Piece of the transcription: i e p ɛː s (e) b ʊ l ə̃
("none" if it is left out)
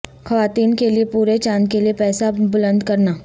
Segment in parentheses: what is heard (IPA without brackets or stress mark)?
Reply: a